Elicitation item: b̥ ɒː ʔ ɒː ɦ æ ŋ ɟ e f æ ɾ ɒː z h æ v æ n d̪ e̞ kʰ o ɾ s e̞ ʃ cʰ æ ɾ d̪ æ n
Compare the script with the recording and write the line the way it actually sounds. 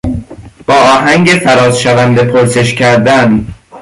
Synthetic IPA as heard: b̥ ɒː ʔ ɒː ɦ æ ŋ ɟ e f æ ɾ ɒː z ʃ æ v æ n d̪ e̞ pʰ o ɾ s e̞ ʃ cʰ æ ɾ d̪ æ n